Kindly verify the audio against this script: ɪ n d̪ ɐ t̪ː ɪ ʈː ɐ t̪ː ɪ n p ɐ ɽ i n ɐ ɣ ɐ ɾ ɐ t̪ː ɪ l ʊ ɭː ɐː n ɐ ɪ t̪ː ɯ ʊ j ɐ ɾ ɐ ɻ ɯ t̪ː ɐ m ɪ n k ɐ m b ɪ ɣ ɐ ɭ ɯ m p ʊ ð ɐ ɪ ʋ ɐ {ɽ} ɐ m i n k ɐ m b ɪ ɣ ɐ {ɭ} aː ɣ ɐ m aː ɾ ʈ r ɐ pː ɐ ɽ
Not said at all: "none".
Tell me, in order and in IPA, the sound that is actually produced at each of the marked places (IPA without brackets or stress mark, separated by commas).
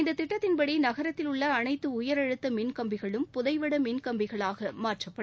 ɽ, ɭ